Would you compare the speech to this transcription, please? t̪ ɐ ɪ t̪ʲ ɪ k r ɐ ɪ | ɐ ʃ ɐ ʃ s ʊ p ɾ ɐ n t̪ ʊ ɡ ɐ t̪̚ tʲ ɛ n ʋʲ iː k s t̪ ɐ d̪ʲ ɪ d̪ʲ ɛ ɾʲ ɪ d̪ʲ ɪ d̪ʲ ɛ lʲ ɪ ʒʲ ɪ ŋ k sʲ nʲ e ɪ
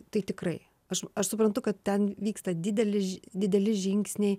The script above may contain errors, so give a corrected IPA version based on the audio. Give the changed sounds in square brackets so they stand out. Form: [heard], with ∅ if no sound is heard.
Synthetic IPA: t̪ ɐ ɪ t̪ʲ ɪ k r ɐ ɪ | ɐ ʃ ɐ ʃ s ʊ p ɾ ɐ n t̪ ʊ [k] ɐ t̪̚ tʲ ɛ n ʋʲ iː k s t̪ ɐ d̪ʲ ɪ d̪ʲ ɛ [lʲ] ɪ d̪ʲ ɪ d̪ʲ ɛ lʲ ɪ ʒʲ ɪ ŋ k sʲ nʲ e ɪ